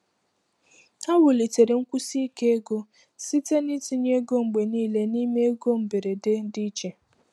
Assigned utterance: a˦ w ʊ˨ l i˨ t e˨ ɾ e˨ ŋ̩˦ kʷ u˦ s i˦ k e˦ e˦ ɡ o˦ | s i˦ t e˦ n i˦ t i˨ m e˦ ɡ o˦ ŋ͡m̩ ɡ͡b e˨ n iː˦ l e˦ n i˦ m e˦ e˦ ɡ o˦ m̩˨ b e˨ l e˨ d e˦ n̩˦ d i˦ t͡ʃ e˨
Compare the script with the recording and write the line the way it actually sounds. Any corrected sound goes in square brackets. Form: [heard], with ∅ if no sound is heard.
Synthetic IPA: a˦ w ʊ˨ l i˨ t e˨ ɾ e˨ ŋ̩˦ kʷ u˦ s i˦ k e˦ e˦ ɡ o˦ | s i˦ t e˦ n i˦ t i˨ [ɲ] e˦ ɡ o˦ ŋ͡m̩ ɡ͡b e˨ n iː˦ l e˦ n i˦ m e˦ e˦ ɡ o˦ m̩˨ b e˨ [ɾ] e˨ d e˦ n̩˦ d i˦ t͡ʃ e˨